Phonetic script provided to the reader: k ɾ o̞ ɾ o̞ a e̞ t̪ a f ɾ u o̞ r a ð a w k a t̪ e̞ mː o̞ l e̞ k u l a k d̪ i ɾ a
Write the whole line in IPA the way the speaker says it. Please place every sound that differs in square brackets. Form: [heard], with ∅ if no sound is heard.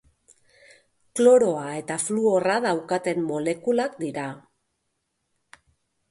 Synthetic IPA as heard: k [l] o̞ ɾ o̞ a e̞ t̪ a f [l] u o̞ r a ð a w k a t̪ e̞ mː o̞ l e̞ k u l a k d̪ i ɾ a